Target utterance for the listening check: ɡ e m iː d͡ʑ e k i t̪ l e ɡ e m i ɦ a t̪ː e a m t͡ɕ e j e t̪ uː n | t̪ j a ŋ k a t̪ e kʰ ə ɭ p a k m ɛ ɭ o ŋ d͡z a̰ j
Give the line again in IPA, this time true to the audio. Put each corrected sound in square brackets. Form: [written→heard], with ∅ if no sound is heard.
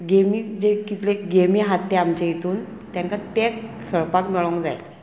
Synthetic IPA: ɡ e m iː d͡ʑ e k i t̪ l e ɡ e m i ɦ a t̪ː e a m t͡ɕ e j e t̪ uː n | t̪ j a ŋ k a t̪ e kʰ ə ɭ p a k m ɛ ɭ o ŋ d͡z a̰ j